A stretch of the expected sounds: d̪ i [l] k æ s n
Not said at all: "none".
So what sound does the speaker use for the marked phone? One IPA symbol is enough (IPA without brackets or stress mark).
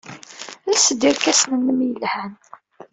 ɾ